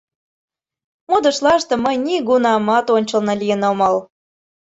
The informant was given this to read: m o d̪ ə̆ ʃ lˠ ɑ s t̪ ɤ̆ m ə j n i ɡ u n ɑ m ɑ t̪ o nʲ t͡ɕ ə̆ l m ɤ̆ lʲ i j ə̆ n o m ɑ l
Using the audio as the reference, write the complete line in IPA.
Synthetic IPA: m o d̪ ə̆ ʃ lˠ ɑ ʃ t̪ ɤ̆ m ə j n i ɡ u n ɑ m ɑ t̪ o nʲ t͡ɕ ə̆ l n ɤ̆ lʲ i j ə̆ n o m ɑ l

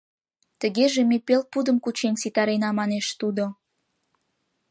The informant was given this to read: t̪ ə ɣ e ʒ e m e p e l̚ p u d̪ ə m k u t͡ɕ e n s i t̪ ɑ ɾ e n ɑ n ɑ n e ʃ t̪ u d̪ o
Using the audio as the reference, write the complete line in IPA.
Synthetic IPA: t̪ ə ɣ e ʒ e m e p e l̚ p u d̪ ə m k u t͡ɕ e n s i t̪ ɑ ɾ e n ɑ m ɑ n e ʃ t̪ u d̪ o

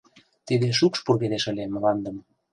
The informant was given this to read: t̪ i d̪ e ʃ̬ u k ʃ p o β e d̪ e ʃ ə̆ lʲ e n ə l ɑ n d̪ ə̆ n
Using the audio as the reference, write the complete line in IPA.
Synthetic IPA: t̪ i d̪ e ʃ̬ u k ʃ p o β e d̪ e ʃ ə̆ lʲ e m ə l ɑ n d̪ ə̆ m

